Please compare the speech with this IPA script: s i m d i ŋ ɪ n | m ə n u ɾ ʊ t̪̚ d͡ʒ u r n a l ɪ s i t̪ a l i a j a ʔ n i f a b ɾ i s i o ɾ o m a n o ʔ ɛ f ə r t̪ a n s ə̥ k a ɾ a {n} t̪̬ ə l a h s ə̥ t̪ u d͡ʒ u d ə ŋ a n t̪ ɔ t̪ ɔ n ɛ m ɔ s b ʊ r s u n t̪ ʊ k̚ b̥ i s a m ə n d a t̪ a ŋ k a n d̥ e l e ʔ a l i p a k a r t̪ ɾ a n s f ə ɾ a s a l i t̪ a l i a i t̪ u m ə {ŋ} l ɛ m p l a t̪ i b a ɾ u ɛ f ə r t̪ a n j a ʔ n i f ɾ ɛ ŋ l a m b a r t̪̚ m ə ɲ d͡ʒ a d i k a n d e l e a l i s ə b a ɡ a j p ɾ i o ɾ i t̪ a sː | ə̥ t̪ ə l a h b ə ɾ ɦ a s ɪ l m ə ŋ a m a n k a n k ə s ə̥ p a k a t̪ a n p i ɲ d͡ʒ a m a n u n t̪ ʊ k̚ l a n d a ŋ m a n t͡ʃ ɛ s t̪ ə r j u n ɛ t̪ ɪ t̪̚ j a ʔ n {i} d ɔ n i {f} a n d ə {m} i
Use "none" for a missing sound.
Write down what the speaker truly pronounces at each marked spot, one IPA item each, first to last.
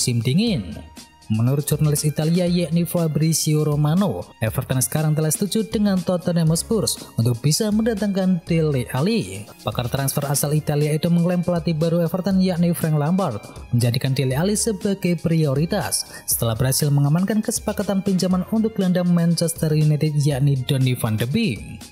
ŋ, ŋ, i, f, b

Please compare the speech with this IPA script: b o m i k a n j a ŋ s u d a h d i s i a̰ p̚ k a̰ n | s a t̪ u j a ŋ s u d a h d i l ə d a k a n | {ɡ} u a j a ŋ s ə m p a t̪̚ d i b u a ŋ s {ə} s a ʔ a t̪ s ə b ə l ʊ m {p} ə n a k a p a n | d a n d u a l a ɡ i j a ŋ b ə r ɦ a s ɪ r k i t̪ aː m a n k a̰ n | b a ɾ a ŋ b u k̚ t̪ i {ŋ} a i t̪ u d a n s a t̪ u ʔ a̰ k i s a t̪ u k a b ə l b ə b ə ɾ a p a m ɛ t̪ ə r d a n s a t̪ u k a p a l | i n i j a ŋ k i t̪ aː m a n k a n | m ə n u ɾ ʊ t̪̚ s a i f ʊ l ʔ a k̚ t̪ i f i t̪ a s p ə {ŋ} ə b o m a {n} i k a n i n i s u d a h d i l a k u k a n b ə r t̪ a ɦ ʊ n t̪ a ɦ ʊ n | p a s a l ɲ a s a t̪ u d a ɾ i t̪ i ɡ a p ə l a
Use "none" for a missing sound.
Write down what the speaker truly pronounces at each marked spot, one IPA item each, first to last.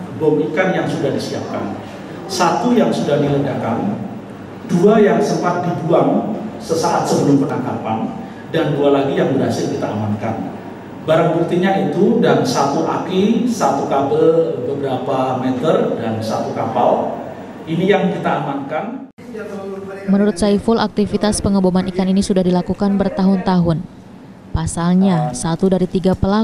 d, ə, p, ɲ, ŋ, n

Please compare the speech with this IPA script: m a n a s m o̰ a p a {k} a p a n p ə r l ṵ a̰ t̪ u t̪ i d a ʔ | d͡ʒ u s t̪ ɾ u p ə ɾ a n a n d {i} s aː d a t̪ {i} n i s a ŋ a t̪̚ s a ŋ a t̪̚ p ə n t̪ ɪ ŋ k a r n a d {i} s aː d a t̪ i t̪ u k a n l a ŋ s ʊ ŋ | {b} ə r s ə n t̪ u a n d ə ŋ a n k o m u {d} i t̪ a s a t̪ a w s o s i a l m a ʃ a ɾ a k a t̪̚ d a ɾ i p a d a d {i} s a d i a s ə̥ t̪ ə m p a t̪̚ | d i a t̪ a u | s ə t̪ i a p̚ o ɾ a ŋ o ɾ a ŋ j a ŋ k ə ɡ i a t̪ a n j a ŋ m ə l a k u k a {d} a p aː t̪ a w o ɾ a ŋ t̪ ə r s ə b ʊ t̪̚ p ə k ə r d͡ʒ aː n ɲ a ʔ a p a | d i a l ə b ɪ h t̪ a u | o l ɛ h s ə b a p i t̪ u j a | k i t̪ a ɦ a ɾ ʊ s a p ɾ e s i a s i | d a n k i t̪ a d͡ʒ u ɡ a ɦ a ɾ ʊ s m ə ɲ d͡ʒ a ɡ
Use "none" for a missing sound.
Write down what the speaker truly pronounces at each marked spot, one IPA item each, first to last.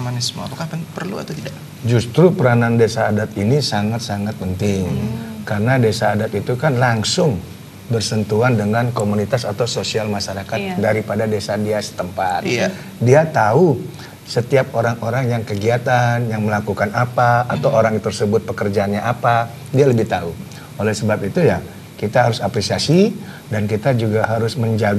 k, e, i, e, b, n, e, n

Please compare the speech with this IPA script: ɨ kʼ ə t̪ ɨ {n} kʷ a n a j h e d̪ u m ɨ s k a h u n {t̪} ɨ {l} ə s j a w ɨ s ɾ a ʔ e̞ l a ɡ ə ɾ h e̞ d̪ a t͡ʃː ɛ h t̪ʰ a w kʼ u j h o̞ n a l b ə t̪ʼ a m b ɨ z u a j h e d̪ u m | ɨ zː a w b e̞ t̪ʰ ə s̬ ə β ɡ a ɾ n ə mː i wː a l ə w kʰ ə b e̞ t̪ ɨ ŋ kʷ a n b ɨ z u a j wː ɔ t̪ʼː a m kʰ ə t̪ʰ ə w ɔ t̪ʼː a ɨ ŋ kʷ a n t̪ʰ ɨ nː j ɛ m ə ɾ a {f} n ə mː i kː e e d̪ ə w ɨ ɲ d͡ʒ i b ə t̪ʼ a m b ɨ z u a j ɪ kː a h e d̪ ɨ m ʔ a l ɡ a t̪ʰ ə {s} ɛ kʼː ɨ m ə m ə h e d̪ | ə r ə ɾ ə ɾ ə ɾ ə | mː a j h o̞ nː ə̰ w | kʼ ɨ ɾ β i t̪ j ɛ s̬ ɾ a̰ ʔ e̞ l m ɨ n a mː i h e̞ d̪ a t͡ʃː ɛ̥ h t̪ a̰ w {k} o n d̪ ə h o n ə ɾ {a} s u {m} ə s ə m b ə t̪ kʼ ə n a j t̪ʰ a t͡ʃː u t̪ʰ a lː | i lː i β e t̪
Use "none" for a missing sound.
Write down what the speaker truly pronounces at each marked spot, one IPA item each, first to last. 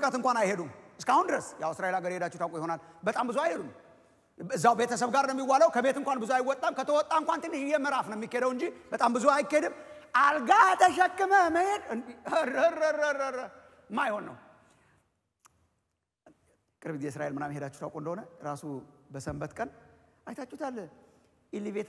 ŋ, d̪, ɾ, f, ʃ, kʼ, a, b

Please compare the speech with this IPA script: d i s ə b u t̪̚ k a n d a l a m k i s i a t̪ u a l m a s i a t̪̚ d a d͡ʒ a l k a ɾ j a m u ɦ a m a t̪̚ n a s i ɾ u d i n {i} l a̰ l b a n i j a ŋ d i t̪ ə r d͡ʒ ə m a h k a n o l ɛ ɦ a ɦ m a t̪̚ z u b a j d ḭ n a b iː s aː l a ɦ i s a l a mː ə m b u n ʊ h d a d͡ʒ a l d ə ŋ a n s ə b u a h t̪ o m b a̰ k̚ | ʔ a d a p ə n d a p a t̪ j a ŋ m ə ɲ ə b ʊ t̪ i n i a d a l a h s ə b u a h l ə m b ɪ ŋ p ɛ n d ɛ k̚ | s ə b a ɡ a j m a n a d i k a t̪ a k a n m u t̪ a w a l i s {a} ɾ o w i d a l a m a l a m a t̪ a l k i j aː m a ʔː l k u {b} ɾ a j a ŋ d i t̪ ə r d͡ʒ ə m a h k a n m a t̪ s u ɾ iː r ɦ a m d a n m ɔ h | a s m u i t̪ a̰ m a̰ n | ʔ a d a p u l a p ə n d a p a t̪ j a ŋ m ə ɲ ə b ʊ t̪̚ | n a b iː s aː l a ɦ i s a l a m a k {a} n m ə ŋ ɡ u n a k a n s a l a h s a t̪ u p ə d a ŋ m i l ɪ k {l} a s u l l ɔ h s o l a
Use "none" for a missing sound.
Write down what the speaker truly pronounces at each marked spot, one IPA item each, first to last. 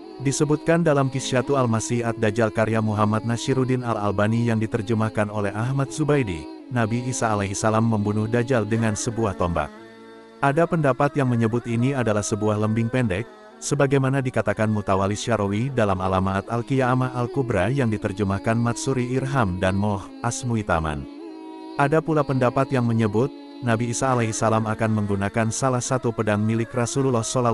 a, a, b, a, r

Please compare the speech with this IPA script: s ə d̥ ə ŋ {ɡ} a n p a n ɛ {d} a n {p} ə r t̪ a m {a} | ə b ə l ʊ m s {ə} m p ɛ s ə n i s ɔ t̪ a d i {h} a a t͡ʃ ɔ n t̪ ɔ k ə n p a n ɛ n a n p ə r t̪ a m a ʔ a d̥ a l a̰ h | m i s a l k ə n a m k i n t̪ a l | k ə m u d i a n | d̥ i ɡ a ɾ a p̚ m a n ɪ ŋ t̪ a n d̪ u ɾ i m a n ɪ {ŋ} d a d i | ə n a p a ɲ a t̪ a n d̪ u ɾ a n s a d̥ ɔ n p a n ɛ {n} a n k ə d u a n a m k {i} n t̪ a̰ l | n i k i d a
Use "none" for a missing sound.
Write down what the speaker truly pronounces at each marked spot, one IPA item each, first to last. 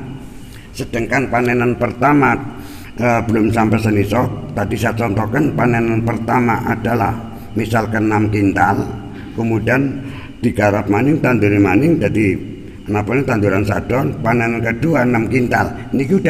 k, n, p, a, a, s, ŋ, n, i

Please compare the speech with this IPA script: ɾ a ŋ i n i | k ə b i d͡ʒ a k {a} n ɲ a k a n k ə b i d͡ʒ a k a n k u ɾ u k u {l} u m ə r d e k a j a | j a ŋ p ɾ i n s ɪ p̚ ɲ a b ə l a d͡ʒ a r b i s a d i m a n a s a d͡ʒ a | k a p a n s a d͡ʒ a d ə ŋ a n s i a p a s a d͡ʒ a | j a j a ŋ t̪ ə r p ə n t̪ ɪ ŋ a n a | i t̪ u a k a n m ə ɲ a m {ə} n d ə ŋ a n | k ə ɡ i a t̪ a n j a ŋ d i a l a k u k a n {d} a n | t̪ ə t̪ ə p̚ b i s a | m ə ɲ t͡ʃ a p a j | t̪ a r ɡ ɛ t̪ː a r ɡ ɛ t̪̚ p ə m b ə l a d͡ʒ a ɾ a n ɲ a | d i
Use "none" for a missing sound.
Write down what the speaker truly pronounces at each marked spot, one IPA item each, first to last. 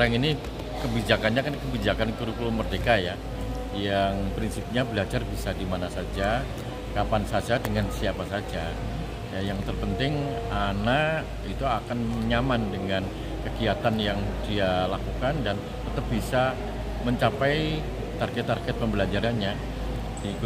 a, l, a, d

